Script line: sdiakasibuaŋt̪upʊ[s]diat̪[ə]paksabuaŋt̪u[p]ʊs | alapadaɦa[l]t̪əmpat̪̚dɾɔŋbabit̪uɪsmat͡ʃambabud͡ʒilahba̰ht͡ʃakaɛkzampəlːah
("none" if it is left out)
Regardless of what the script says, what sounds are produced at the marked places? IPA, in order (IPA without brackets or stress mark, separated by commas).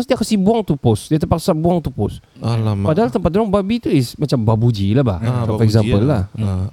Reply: s, ə, p, l